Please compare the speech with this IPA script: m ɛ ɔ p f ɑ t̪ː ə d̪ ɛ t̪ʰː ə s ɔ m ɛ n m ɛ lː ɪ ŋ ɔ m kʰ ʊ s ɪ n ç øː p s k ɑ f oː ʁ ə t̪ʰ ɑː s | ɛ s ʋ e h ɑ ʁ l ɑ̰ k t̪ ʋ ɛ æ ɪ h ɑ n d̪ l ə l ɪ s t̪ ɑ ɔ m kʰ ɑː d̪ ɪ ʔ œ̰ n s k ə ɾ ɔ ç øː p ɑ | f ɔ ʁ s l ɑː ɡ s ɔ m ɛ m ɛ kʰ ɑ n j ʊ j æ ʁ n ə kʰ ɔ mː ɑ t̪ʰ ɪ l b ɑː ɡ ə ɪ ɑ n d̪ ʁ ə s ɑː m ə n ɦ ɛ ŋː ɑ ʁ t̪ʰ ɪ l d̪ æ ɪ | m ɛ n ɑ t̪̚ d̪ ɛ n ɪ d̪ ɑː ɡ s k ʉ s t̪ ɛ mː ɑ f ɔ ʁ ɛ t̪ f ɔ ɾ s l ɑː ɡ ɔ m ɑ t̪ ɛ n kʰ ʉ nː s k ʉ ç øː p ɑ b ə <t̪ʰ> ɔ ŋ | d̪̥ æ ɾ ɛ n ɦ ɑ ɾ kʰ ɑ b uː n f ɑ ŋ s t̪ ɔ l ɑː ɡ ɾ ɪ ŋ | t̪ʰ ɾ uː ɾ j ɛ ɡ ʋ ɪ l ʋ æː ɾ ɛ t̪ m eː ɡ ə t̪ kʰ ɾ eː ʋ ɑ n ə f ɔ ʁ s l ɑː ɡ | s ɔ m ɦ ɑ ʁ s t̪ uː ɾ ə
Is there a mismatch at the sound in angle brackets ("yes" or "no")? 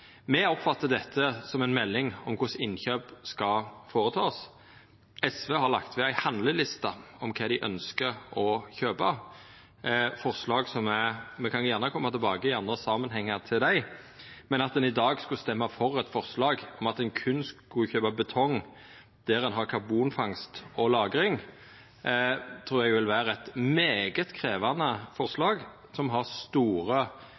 no